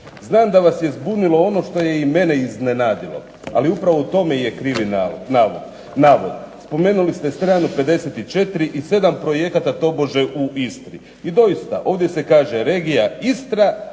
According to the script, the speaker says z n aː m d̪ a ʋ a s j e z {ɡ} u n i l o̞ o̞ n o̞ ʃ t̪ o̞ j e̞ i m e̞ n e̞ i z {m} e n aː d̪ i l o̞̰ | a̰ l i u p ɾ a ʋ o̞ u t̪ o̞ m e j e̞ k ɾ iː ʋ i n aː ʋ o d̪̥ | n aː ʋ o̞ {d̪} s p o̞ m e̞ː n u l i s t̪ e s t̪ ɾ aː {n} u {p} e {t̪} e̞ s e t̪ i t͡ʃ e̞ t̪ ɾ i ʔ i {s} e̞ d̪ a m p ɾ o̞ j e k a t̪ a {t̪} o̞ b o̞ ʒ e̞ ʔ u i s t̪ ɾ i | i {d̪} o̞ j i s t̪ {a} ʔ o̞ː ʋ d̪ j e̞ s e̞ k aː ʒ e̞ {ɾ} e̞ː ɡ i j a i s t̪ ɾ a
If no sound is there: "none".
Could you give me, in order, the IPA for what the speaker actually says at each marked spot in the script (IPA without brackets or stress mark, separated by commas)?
b, n, d̪, n, p, d̪, s, t̪, d̪, a, ɾ